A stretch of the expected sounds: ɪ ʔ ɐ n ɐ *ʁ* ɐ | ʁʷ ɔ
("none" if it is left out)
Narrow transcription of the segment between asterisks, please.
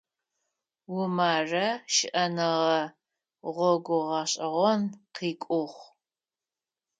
ʁ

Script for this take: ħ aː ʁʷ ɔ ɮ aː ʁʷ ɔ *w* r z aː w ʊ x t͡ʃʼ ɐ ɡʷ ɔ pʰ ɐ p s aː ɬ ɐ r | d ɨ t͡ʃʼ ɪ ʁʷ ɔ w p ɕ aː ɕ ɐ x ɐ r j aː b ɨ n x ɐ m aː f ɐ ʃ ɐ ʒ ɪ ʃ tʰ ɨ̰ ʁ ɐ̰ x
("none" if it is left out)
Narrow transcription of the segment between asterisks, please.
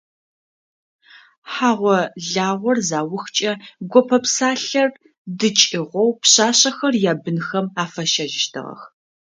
none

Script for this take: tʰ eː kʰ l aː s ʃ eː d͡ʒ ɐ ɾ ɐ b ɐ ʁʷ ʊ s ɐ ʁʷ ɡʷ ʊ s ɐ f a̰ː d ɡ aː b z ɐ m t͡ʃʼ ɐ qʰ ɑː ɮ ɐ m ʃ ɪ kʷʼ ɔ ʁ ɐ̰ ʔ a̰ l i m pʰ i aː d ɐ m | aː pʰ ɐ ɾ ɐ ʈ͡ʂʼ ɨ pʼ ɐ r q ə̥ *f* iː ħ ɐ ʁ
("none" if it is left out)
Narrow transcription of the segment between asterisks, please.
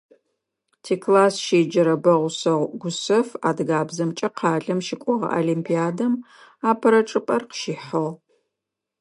ʃ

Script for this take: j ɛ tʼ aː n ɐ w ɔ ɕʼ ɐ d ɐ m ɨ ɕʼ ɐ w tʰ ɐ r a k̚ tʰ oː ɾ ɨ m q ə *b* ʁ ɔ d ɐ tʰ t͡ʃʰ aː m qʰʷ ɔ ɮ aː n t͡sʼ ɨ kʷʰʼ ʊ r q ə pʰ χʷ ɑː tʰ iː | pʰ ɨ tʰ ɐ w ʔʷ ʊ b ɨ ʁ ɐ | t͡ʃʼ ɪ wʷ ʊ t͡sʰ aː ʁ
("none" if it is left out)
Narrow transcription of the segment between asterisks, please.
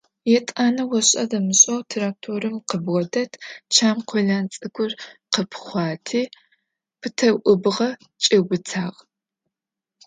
b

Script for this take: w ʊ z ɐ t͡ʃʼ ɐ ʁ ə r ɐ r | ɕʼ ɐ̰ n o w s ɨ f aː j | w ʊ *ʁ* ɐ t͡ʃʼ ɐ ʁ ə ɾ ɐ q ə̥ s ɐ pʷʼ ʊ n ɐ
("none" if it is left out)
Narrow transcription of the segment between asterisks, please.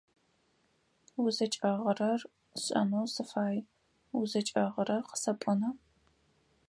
z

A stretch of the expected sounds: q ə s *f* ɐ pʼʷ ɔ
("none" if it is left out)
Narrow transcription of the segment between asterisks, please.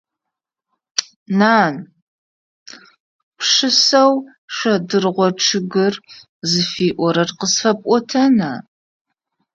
f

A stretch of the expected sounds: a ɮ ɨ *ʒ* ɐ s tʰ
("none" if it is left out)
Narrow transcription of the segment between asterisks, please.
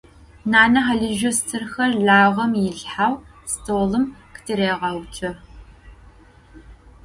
ʒ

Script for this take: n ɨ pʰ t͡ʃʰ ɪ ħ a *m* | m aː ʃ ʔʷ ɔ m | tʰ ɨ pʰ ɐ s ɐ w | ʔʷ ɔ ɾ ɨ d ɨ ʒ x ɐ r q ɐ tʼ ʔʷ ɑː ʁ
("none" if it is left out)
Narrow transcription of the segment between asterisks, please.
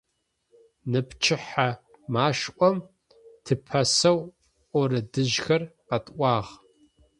none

